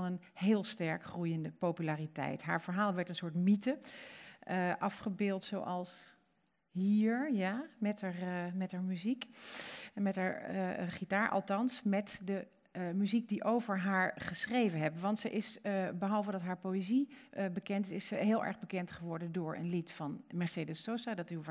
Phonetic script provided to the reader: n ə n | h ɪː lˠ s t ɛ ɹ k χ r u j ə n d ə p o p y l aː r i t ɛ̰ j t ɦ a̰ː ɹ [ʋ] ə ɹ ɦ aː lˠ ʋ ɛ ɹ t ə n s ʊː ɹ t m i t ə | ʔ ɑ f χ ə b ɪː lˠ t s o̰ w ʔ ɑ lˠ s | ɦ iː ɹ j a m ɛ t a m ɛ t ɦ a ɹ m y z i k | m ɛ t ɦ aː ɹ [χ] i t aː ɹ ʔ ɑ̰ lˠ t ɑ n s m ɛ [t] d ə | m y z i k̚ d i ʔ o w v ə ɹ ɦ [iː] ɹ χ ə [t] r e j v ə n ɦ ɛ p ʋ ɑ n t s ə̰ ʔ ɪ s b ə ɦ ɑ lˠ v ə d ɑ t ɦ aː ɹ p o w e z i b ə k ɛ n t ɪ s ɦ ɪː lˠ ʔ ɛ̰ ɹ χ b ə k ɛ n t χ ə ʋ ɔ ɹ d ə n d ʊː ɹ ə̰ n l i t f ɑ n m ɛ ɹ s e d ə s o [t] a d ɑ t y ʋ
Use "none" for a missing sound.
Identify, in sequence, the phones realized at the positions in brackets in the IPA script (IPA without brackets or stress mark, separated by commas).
v, χ, t, aː, s, s